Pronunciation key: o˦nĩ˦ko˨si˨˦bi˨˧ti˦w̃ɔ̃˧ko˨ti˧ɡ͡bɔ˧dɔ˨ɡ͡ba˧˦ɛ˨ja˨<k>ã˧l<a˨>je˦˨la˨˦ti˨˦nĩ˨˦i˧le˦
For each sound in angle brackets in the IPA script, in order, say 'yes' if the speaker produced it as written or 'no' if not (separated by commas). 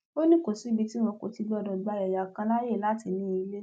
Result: yes, no